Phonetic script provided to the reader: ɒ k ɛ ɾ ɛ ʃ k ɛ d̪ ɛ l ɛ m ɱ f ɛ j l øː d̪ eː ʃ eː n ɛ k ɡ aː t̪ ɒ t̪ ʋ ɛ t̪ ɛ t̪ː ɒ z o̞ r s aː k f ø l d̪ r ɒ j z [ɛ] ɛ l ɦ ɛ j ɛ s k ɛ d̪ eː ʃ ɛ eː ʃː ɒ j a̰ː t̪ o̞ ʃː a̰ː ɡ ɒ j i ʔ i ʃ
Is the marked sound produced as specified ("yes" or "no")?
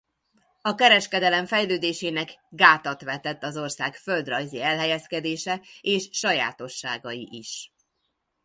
no